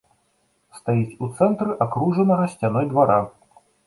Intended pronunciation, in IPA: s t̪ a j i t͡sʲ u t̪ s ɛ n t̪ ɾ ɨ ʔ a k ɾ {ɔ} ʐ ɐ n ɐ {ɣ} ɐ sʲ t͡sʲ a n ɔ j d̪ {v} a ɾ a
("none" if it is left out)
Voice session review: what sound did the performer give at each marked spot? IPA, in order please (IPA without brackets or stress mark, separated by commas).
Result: u, ɣ, v